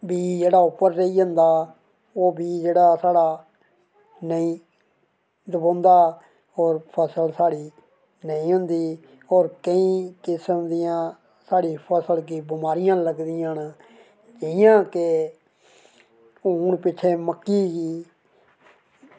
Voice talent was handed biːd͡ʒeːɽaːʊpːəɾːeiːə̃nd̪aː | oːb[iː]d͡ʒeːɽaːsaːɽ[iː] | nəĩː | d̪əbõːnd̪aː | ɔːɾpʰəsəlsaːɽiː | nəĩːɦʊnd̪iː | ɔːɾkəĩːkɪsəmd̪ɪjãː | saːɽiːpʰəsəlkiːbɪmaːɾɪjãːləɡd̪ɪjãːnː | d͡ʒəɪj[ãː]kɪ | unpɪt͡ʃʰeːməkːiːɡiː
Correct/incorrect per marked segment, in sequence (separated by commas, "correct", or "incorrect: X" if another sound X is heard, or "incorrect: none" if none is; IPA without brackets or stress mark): correct, incorrect: aː, correct